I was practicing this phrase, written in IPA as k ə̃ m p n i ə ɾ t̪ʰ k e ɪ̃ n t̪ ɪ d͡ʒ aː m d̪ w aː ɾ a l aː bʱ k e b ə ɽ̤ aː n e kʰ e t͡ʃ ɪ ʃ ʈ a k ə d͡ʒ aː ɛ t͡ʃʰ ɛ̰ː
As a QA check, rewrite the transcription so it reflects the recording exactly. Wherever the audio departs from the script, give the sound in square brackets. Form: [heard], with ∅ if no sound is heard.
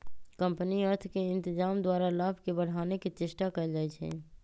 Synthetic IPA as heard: k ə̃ m p n i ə ɾ t̪ʰ k e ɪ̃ n t̪ ɪ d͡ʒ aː m d̪ w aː ɾ a l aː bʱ k e b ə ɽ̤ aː n e [k] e t͡ʃ ɪ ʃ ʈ a k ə d͡ʒ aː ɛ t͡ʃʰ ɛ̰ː